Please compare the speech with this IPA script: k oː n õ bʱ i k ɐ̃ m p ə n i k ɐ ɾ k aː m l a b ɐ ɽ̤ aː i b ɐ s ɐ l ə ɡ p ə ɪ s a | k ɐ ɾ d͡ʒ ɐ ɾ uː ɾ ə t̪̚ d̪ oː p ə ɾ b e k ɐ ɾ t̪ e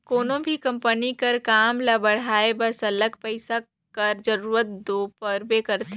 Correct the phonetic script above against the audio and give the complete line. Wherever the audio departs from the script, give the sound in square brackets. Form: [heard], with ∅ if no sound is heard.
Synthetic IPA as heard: k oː n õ bʱ i k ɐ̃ m p ə n i k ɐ ɾ k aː m l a b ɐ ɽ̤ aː [e] b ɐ s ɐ l ə ɡ p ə ɪ s a | k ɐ ɾ d͡ʒ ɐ ɾ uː ɾ ə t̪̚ d̪ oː p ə ɾ b e k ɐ ɾ t̪ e